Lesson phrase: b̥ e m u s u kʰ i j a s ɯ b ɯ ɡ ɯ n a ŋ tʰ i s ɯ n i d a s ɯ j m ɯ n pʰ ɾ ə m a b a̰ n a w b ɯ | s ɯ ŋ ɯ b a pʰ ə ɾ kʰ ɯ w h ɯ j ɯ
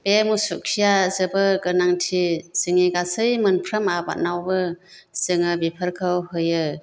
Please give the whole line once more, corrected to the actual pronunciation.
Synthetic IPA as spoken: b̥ e m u s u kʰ i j a z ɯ b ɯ ɡ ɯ n a ŋ tʰ i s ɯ ŋ i ɡ a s ɯ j m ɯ n pʰ ɾ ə m a b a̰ n a w b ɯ | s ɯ ŋ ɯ b i pʰ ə ɾ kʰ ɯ w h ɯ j ɯ